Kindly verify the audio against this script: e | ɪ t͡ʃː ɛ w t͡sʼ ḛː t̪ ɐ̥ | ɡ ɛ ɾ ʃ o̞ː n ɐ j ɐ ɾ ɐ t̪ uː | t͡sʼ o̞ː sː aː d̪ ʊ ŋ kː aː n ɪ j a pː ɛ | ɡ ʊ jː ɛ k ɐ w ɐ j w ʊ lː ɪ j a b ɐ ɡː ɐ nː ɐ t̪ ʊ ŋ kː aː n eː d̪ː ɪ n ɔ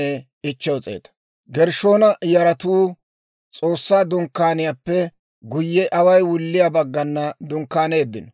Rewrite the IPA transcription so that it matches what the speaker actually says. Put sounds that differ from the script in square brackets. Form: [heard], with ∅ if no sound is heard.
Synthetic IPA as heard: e | ɪ t͡ʃː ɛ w t͡sʼ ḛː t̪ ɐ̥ | ɡ ɛ ɾ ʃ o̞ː n ɐ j ɐ ɾ ɐ t̪ uː | t͡sʼ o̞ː sː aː d̪ ʊ ŋ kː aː n ɪ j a pː ɛ | ɡ ʊ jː ɛ [ʔ] ɐ w ɐ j w ʊ lː ɪ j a b ɐ ɡː ɐ nː ɐ [d̪] ʊ ŋ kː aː n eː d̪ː ɪ n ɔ